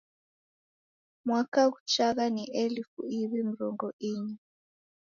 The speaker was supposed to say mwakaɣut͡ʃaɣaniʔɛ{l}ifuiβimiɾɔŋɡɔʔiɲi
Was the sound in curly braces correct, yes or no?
yes